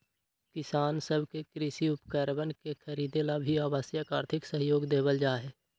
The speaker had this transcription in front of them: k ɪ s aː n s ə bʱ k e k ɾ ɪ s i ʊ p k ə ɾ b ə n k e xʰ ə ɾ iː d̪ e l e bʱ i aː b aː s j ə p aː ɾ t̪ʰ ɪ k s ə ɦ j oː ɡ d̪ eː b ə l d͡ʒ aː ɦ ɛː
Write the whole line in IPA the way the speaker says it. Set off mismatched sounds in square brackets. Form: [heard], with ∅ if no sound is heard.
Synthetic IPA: k ɪ s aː n s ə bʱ k e k ɾ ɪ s i ʊ p k ə ɾ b ə n k e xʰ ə ɾ iː d̪ e l [a] bʱ i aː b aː s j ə [k] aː ɾ t̪ʰ ɪ k s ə ɦ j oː ɡ d̪ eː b ə l d͡ʒ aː ɦ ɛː